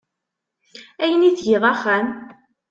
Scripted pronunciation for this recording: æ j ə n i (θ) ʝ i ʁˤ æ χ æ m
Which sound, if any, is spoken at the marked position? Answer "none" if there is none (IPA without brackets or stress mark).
θ